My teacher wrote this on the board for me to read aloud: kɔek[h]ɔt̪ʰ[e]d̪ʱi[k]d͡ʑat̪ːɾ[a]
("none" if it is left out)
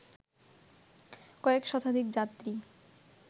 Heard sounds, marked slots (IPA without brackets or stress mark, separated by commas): ʃ, a, k, i